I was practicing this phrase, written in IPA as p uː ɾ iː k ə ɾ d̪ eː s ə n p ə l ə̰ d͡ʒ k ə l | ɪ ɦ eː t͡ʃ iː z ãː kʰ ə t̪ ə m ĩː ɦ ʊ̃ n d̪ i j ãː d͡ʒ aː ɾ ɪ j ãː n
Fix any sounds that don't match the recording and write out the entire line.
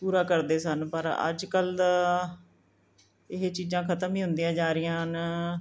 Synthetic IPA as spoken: p uː ɾ aː k ə ɾ d̪ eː s ə n p ə ɾ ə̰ d͡ʒ k ə l | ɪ ɦ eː t͡ʃ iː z ãː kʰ ə t̪ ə m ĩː ɦ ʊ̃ n d̪ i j ãː d͡ʒ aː ɾ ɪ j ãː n

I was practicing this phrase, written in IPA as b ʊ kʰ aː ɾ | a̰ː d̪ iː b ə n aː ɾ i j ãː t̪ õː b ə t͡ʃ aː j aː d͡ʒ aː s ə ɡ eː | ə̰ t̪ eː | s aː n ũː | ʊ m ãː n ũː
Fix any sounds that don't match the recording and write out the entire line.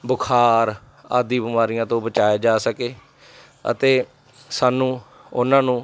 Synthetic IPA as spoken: b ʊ kʰ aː ɾ | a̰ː d̪ iː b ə m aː ɾ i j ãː t̪ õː b ə t͡ʃ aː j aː d͡ʒ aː s ə k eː | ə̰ t̪ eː | s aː n ũː | ʊ n ãː n ũː

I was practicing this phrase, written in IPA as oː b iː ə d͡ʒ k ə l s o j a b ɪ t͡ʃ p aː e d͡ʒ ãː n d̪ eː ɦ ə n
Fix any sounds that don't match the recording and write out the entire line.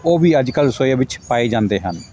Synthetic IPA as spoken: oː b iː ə d͡ʒ k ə l s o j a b ɪ t͡ʃ p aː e d͡ʒ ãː n d̪ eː ɦ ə n

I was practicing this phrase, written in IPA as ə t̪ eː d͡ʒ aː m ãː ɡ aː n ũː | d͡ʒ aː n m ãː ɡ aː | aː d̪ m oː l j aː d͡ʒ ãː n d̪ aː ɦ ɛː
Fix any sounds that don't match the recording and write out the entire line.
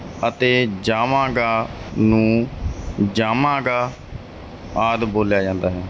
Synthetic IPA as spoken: ə t̪ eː d͡ʒ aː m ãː ɡ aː n ũː | d͡ʒ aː m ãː ɡ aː | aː d̪ b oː l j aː d͡ʒ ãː n d̪ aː ɦ ɛː

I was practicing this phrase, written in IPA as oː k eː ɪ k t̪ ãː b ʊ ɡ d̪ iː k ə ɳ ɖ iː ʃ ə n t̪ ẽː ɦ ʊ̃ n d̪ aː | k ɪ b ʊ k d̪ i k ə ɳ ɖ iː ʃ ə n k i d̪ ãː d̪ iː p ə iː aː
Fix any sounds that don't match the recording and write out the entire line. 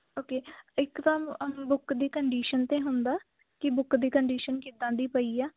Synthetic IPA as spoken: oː k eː ɪ k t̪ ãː b ʊ k d̪ iː k ə ɳ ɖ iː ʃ ə n t̪ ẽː ɦ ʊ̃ n d̪ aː | k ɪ b ʊ k d̪ iː k ə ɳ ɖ iː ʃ ə n k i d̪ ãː d̪ iː p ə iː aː

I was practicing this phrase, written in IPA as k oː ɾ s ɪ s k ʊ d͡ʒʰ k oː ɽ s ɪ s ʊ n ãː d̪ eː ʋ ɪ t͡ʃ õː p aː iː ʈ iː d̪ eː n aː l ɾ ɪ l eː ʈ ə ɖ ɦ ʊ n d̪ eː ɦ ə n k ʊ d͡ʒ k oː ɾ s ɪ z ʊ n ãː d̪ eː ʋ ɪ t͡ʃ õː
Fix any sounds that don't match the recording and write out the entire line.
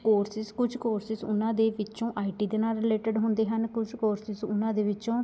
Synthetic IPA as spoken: k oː ɾ s ɪ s k ʊ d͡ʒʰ k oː ɾ s ɪ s ʊ n ãː d̪ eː ʋ ɪ t͡ʃ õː ʔ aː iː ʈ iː d̪ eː n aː l ɾ ɪ l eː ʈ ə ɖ ɦ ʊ n d̪ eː ɦ ə n k ʊ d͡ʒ k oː ɾ s ɪ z ʊ n ãː d̪ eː ʋ ɪ t͡ʃ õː

